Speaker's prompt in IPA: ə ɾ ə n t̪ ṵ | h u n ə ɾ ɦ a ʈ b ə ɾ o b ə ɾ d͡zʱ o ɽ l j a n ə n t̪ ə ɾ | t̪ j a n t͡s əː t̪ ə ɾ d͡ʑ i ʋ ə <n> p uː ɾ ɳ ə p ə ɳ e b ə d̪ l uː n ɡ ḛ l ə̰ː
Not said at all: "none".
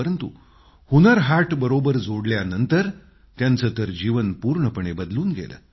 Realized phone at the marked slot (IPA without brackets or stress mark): n